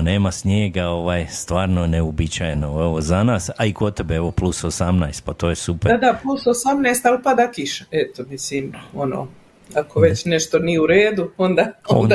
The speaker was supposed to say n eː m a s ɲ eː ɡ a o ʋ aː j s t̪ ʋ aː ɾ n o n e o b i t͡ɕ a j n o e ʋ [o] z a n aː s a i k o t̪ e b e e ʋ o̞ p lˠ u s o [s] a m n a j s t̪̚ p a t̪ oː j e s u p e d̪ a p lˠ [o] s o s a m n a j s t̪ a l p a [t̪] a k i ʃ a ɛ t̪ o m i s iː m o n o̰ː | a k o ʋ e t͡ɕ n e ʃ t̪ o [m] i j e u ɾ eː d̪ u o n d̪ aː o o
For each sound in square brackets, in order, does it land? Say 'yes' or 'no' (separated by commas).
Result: yes, yes, no, no, no